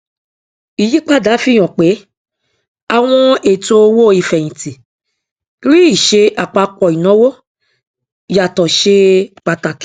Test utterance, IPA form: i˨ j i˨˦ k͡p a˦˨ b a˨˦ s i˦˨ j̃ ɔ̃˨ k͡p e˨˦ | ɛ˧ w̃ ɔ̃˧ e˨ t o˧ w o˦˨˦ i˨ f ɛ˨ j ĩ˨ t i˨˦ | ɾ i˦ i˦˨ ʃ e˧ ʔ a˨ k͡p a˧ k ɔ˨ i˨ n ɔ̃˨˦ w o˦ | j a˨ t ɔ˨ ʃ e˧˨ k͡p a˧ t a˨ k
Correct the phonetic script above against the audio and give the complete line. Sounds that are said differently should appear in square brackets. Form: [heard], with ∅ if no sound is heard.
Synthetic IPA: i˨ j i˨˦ k͡p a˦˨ [d] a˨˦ [f] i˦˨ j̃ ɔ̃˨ k͡p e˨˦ | [a˧] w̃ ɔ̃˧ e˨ t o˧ w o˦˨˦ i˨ f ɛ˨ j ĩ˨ t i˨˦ | ɾ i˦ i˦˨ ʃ e˧ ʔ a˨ k͡p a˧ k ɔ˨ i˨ n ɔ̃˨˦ w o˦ | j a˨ t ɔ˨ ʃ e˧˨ k͡p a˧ t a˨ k